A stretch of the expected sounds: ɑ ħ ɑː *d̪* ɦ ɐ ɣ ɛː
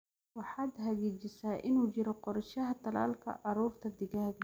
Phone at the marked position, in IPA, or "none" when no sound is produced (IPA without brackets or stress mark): d̪